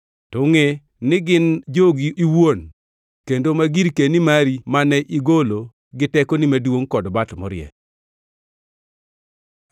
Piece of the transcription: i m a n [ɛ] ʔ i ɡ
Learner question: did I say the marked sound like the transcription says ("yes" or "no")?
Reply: yes